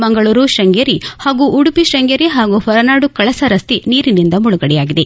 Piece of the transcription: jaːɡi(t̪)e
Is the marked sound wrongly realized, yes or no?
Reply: yes